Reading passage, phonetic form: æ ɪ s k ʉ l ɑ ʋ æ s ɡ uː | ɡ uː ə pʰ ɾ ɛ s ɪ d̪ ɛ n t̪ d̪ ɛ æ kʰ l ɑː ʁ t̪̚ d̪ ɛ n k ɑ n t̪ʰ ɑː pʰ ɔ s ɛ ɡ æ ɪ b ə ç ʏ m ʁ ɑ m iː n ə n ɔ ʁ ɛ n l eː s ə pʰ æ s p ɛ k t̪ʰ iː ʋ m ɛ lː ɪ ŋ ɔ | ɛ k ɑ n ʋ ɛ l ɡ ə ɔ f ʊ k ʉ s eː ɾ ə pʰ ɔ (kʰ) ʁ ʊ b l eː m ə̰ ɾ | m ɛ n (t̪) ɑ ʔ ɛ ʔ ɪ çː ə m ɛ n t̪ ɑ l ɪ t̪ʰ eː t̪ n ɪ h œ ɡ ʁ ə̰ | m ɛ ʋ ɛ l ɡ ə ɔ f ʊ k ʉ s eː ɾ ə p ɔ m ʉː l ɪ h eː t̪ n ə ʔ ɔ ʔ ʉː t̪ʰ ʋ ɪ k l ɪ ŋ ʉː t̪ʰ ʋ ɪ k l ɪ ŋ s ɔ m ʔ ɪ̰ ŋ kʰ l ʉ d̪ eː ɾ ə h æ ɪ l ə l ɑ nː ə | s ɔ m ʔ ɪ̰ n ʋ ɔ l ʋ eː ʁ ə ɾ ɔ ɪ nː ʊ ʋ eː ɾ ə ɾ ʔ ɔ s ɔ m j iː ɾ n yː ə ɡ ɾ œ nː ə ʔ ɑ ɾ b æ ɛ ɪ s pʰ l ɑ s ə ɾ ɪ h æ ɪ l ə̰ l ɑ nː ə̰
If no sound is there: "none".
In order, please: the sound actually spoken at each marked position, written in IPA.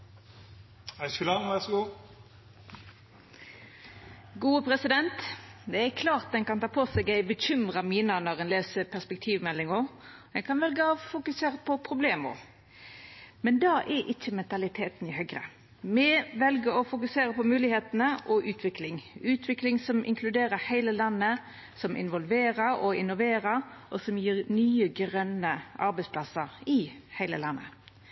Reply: pʰ, d̪

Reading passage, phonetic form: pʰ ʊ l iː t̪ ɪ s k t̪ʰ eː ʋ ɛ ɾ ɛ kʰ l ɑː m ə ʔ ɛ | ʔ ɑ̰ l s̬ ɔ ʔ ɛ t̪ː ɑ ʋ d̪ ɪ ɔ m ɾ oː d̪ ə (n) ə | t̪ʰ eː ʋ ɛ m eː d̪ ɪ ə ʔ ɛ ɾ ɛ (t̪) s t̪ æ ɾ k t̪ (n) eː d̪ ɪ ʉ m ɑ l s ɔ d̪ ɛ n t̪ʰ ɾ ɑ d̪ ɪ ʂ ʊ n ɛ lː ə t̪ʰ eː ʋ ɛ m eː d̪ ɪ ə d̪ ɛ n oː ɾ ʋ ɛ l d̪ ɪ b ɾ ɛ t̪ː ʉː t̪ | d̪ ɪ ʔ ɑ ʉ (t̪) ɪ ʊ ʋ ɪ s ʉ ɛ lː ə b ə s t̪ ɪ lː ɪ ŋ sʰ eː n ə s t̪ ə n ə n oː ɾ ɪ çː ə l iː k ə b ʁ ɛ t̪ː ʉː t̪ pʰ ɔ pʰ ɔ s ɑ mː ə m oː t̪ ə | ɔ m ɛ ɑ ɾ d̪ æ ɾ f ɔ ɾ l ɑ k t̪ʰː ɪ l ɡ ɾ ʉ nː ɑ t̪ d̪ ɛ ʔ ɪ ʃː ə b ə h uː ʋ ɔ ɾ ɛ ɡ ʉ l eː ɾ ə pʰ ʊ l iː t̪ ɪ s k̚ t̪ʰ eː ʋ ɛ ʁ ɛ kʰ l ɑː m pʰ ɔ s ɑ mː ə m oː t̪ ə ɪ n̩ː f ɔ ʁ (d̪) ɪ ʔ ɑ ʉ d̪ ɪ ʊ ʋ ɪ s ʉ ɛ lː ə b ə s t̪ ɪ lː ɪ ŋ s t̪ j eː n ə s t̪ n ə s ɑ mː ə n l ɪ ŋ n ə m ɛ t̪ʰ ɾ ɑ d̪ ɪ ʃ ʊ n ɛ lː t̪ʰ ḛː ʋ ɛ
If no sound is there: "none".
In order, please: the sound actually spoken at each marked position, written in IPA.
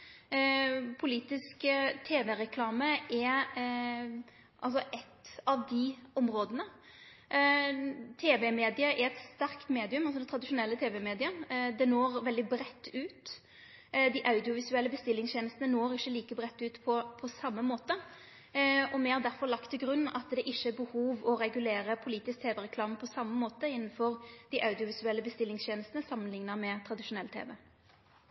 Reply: n, t̪, m, d̪, d̪

